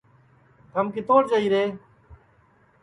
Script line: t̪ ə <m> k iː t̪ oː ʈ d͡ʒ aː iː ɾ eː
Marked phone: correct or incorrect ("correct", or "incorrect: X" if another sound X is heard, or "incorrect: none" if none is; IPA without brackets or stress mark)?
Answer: correct